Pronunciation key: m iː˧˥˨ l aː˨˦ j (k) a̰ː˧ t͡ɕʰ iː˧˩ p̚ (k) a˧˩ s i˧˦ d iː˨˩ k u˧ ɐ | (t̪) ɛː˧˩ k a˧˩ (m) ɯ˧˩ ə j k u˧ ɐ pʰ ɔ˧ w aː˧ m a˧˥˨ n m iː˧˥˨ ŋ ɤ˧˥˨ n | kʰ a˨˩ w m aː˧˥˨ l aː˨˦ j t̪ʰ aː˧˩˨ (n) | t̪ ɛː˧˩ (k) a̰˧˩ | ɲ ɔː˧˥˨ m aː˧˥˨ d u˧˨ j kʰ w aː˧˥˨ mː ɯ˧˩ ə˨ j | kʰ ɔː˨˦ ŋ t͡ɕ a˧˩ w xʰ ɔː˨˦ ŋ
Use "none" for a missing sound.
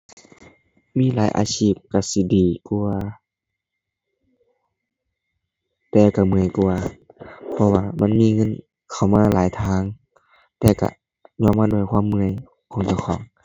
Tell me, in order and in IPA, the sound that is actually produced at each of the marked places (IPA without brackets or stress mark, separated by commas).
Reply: ʔ, k, t̪, m, ŋ, k